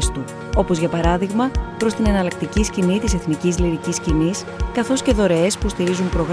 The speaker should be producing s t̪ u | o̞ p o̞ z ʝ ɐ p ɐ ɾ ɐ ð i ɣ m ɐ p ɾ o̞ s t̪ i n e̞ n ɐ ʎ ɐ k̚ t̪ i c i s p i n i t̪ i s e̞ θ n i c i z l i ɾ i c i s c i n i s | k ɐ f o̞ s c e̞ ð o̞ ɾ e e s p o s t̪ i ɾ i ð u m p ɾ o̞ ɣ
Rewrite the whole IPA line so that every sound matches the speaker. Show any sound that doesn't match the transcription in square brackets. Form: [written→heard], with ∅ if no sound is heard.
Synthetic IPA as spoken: s t̪ u | o̞ p o̞ z ʝ ɐ p ɐ ɾ ɐ ð i ɣ m ɐ p ɾ o̞ s t̪ i n e̞ n ɐ [ʎ→l] ɐ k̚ t̪ i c i s [p→c] i n i t̪ i s e̞ θ n i c i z l i ɾ i c i s c i n i s | k ɐ [f→θ] o̞ s c e̞ ð o̞ ɾ e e s p [o→u] s t̪ i ɾ i [ð→z] u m p ɾ o̞ ɣ